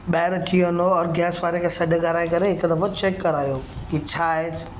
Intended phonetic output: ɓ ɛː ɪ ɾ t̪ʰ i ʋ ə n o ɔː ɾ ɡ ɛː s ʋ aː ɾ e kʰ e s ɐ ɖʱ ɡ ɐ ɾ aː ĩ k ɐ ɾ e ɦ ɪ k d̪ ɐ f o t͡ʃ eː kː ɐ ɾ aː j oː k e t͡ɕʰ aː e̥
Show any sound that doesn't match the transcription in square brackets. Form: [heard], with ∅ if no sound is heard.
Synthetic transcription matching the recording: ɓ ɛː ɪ ɾ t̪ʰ i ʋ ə n o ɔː ɾ ɡ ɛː s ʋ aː ɾ e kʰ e s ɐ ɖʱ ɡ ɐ ɾ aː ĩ k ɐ ɾ e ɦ ɪ k d̪ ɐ f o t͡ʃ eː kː ɐ ɾ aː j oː k [i] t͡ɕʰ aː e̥